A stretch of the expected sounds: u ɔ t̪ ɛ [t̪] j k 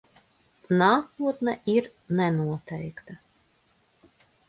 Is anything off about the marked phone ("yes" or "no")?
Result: yes